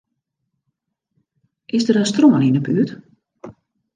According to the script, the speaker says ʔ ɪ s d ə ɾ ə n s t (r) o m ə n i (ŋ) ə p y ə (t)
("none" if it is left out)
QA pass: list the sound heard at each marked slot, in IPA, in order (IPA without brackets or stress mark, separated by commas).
r, n, t